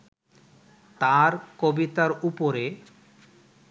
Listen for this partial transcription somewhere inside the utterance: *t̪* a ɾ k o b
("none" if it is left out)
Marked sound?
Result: t̪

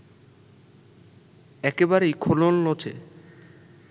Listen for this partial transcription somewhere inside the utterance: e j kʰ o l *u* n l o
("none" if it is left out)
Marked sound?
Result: o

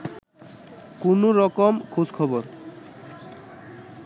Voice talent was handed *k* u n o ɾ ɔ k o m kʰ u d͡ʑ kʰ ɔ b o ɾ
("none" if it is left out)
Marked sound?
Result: k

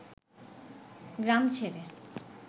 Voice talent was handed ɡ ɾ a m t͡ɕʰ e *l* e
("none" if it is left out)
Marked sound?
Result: ɾ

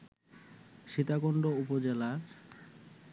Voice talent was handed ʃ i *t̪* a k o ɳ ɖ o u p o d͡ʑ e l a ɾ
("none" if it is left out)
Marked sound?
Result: t̪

